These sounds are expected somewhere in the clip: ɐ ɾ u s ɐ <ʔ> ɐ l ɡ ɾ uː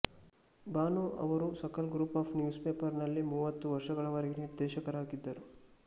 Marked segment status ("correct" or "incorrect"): incorrect